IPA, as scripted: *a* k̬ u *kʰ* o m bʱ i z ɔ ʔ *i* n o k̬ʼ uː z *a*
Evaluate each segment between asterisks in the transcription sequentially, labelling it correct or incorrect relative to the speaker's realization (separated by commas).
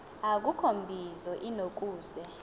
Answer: correct, correct, correct, incorrect